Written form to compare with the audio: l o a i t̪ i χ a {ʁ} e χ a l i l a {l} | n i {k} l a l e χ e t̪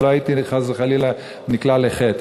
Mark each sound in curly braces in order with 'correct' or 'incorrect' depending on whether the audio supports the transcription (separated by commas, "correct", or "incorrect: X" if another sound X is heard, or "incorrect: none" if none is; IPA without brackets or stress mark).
incorrect: z, incorrect: none, correct